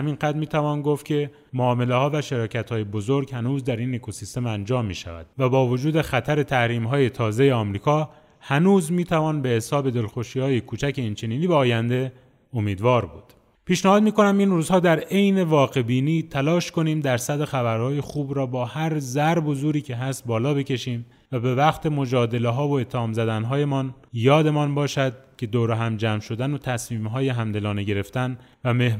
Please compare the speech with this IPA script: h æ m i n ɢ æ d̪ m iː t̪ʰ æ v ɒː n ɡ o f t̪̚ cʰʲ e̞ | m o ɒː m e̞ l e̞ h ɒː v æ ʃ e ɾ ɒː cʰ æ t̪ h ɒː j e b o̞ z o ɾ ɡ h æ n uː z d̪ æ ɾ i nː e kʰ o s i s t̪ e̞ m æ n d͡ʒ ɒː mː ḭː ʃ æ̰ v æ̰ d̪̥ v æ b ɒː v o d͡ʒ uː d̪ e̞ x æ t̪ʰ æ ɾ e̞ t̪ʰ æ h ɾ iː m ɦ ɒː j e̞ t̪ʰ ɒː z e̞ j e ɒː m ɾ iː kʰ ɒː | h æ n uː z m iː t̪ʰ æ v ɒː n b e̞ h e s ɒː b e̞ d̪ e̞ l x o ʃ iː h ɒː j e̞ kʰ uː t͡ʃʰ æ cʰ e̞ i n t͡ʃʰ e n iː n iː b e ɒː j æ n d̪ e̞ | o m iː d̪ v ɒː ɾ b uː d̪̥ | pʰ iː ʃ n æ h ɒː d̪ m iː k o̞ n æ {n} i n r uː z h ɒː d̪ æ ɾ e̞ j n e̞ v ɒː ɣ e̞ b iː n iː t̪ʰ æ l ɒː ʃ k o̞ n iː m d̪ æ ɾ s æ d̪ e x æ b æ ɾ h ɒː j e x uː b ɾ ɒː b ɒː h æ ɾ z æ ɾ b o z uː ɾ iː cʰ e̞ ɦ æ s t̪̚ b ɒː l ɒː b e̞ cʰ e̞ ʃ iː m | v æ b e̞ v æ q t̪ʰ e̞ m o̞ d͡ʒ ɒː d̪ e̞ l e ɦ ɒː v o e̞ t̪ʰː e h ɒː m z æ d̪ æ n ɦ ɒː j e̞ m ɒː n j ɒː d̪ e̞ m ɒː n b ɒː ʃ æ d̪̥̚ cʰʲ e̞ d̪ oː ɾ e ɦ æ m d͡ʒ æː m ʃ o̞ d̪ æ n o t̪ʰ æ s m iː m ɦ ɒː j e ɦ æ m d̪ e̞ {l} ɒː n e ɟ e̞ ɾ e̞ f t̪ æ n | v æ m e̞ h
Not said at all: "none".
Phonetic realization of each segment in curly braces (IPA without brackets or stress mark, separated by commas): m, l